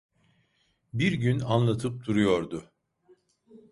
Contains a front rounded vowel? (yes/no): yes